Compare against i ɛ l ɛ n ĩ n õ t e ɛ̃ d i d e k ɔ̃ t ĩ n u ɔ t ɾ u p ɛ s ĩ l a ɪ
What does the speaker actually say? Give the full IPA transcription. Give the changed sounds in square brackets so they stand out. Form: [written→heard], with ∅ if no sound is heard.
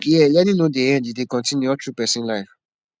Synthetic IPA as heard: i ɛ l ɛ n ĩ n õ [t→d] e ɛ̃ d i d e k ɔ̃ t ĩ n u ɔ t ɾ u p ɛ s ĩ l a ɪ